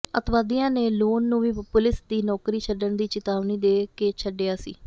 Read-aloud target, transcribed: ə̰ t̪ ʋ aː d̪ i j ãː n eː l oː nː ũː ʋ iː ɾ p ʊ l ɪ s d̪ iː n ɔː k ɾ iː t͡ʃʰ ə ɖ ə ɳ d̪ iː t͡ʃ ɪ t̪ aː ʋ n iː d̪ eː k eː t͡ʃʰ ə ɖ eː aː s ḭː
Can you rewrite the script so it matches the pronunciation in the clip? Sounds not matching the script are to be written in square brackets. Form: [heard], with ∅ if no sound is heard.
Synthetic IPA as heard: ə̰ t̪ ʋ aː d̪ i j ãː n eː l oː nː ũː ʋ iː [∅] p ʊ l ɪ s d̪ iː n ɔː k ɾ iː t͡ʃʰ ə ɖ ə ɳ d̪ iː t͡ʃ ɪ t̪ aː ʋ n iː d̪ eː k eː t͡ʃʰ ə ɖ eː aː s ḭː